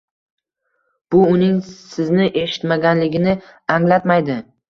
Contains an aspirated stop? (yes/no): no